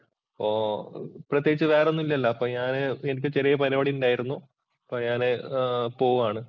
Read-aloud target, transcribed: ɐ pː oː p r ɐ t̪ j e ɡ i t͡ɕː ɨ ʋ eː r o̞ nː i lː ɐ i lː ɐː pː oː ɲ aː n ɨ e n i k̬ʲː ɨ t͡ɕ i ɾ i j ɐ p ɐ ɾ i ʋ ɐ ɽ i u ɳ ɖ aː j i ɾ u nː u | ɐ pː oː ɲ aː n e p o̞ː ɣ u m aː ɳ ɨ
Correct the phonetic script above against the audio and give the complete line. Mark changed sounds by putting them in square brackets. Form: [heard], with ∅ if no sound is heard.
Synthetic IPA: ɐ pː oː p r ɐ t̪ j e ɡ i t͡ɕː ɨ ʋ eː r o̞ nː i lː ɐ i lː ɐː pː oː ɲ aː n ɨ e n i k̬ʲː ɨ t͡ɕ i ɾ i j ɐ p ɐ ɾ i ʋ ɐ ɽ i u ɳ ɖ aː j i ɾ u nː u | ɐ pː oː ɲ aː n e p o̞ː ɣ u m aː ɳ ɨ